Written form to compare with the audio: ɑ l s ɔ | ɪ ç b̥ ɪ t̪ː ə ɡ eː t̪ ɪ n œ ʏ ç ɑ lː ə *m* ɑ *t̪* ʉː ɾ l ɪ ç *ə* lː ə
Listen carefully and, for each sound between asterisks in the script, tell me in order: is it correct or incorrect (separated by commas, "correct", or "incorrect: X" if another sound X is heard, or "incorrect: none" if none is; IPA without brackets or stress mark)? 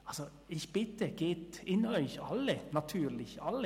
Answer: incorrect: n, incorrect: t̪ʰ, incorrect: ɑ